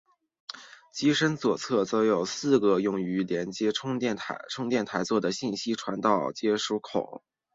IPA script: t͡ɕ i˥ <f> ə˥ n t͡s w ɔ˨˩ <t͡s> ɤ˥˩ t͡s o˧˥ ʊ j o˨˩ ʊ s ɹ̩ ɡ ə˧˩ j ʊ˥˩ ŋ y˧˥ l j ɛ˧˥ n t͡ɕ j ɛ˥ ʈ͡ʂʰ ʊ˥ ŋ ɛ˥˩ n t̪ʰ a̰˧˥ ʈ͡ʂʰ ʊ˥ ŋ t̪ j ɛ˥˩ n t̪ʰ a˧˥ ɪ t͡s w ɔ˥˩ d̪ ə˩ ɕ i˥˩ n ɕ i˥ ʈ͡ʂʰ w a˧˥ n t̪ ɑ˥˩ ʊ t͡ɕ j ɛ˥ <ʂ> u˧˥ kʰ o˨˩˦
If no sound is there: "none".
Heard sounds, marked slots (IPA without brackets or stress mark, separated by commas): ʂ, t͡sʰ, ʂ